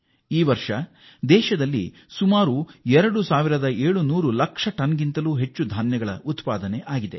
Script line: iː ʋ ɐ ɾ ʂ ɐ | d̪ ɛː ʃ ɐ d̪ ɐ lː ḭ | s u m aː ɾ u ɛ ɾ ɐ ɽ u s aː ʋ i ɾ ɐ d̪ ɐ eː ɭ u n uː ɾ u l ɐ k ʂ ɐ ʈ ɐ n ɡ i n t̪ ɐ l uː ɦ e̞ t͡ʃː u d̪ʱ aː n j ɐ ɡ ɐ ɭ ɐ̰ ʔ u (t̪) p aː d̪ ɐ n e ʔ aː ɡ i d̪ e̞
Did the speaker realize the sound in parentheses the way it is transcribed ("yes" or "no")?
yes